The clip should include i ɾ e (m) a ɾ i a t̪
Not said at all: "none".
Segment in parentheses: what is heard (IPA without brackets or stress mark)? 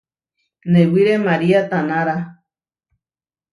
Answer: m